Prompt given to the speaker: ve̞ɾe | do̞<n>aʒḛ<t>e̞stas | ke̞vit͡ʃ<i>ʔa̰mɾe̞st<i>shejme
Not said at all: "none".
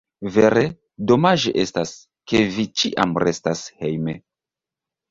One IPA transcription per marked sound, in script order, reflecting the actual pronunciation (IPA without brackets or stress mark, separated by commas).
m, ʔ, i, a